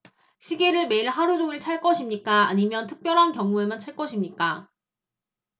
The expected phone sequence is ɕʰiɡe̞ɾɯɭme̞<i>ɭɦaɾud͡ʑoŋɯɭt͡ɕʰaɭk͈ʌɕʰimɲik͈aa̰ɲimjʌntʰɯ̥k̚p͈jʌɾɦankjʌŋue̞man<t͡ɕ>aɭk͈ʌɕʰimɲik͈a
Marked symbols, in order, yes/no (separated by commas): yes, no